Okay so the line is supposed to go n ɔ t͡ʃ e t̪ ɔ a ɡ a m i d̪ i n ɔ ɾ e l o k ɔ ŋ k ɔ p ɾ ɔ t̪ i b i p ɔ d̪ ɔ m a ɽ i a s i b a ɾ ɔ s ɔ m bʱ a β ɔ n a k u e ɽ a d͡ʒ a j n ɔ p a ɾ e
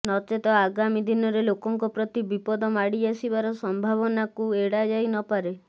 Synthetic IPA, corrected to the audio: n ɔ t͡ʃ e t̪ ɔ a ɡ a m i d̪ i n ɔ ɾ e l o k ɔ ŋ k ɔ p ɾ ɔ t̪ i b i p ɔ d̪ ɔ m a ɽ i a s i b a ɾ ɔ s ɔ m bʱ a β ɔ n a k u e ɽ a d͡ʒ a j n ɔ p a ɾ e